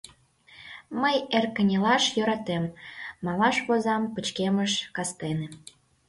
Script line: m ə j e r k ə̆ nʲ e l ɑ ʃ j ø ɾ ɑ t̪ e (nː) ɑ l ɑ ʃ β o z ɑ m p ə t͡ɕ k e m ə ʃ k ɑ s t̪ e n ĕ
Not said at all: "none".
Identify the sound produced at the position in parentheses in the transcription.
mː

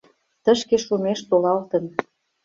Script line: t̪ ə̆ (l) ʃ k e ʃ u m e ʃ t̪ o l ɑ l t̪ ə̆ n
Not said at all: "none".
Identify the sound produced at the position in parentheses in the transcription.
none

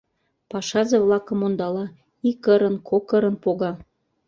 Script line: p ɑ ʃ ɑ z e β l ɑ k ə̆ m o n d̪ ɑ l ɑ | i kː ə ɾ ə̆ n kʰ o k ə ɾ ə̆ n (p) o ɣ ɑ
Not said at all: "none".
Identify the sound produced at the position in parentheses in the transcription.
p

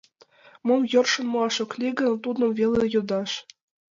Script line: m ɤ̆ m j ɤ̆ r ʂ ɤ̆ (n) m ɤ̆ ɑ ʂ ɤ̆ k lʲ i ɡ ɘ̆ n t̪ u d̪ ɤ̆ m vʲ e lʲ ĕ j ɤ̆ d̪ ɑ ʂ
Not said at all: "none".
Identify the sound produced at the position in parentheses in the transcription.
n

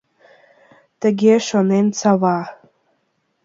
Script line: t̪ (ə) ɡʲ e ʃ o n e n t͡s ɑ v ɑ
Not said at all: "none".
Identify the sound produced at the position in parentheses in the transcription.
ə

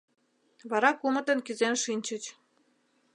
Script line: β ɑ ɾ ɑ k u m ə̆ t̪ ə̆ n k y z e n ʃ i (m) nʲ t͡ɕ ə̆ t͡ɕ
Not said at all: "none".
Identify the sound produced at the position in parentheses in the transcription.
none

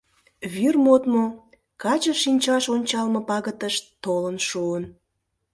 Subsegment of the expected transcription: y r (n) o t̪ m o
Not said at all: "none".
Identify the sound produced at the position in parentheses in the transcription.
m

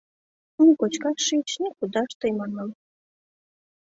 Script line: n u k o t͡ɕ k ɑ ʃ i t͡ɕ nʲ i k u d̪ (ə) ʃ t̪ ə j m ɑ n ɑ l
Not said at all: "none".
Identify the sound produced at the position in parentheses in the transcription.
ɑ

